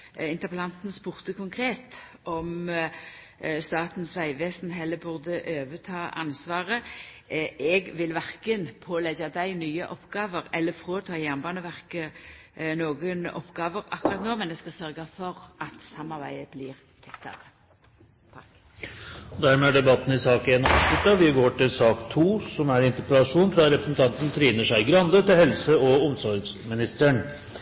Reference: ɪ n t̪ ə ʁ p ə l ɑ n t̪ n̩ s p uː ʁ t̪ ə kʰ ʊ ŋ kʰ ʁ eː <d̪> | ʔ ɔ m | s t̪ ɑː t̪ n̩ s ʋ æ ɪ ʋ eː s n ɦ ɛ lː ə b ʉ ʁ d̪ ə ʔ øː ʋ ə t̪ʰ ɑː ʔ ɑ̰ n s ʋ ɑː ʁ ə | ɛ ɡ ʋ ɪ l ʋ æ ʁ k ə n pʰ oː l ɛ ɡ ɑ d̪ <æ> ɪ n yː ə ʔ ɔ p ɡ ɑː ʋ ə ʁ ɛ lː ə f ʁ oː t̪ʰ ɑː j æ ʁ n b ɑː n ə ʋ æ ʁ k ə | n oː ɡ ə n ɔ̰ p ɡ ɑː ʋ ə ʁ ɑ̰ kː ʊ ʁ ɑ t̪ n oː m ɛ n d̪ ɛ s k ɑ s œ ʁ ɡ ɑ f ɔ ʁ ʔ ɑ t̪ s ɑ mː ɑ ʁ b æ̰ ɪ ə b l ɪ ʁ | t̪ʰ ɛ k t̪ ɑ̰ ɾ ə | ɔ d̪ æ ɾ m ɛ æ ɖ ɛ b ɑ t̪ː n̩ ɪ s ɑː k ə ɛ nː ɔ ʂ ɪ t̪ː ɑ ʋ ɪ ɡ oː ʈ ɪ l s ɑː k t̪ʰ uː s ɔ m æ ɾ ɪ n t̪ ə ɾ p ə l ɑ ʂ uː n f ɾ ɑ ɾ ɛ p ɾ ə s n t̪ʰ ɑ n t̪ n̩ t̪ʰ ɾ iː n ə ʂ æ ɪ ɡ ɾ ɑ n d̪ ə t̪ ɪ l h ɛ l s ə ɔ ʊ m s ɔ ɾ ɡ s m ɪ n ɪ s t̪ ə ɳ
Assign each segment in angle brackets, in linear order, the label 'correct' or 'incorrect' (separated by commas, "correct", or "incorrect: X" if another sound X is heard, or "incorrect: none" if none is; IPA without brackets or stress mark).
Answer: incorrect: t̪, correct